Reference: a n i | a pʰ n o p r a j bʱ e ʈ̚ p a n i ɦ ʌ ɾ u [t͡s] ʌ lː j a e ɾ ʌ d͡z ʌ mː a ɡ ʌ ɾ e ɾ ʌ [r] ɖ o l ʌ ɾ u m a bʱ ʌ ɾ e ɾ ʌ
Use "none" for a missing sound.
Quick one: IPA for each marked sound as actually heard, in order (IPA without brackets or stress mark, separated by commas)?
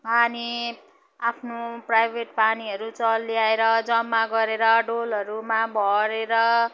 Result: t͡s, none